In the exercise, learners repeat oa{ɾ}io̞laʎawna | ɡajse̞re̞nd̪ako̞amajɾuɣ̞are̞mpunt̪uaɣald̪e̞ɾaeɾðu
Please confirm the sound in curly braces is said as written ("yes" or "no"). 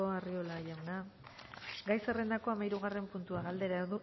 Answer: no